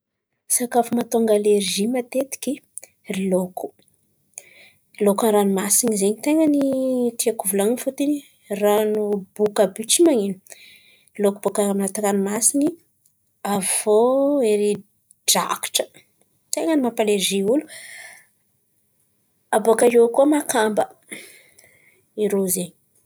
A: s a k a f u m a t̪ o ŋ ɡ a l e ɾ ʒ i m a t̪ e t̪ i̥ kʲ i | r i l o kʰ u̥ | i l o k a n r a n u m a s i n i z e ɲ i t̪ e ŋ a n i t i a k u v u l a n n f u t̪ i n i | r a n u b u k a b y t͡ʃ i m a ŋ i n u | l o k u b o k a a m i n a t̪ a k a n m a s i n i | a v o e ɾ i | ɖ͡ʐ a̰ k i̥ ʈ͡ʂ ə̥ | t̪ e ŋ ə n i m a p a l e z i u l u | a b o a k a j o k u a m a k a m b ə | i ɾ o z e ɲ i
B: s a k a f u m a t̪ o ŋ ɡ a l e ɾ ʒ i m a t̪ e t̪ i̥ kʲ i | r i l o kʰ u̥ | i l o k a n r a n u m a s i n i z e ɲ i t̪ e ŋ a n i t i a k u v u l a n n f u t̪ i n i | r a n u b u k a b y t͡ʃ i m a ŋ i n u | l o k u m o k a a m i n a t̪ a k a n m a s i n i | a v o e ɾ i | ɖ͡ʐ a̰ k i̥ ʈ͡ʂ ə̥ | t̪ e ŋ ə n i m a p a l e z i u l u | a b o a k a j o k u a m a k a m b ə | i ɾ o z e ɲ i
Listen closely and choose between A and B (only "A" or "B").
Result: A